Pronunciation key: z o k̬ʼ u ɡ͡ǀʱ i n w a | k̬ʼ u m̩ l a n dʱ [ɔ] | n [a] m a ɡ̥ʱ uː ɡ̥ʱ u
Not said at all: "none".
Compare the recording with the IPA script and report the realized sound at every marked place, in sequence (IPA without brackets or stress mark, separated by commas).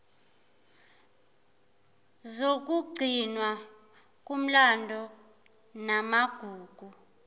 ɔ, a